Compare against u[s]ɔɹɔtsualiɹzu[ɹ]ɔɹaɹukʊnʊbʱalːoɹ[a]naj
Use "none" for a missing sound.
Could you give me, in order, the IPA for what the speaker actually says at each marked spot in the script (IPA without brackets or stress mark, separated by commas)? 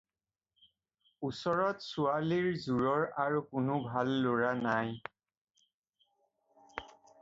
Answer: s, ɹ, a